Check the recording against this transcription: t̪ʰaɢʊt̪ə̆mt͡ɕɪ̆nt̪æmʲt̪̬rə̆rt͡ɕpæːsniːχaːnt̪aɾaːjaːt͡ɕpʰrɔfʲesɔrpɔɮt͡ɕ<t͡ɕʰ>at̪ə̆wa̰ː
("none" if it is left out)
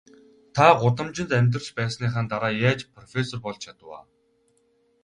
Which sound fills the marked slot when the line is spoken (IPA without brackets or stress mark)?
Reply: t͡ɕʰ